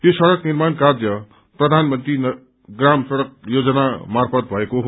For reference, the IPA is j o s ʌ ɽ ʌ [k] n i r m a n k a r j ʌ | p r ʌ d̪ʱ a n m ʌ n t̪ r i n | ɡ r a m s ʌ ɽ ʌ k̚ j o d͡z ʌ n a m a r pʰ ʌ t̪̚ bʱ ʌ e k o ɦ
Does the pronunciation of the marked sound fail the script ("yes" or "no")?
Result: no